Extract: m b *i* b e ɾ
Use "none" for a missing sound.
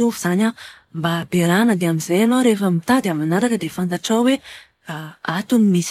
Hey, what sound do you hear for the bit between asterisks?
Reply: a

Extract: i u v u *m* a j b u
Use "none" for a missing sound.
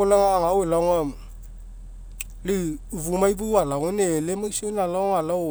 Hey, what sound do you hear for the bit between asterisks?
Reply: m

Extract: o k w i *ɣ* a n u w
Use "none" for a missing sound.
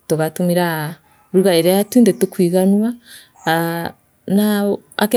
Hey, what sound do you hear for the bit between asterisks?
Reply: ɣ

